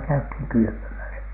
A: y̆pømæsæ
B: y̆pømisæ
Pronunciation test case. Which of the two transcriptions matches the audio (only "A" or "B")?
A